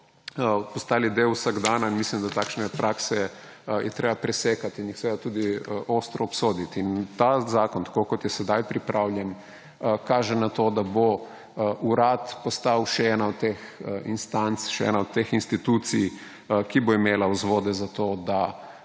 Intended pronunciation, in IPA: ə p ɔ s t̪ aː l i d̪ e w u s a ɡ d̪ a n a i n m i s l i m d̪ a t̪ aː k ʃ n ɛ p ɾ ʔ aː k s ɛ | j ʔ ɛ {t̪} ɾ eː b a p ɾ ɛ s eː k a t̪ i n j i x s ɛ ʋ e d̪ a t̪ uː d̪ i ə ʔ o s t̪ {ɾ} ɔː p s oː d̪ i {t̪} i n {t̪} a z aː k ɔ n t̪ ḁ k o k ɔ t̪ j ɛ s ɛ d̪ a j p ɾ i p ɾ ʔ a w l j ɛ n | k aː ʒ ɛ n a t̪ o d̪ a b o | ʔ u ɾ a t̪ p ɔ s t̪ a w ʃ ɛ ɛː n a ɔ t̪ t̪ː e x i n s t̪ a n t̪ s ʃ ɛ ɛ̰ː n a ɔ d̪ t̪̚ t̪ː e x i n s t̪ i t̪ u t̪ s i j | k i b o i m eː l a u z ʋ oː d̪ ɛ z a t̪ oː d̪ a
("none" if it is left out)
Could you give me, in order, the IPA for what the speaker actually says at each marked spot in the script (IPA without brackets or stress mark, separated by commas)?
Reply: t̪, ɾ, t̪, t̪